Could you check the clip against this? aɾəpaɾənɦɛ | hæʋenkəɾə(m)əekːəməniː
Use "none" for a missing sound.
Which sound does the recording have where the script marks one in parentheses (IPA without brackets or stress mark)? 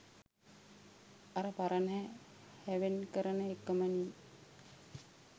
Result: n